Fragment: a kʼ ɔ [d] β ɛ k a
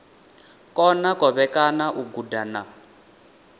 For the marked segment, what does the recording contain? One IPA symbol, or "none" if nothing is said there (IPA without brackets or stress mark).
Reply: none